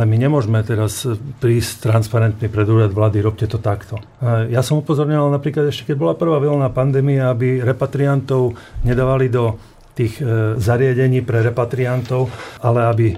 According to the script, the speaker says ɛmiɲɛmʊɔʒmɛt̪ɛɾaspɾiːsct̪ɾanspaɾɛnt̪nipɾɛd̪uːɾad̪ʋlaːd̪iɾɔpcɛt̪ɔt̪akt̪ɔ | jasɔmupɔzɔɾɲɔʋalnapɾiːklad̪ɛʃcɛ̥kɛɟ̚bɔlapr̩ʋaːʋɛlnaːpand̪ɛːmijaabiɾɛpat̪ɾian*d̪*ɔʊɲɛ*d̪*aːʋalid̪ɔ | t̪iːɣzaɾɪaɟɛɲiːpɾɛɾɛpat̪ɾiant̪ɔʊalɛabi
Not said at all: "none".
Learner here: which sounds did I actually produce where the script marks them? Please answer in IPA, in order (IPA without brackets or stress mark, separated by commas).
t̪, d̪